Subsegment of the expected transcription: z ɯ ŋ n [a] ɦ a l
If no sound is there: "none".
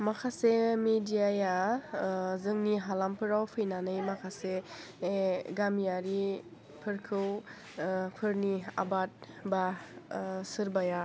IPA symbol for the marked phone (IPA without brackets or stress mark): i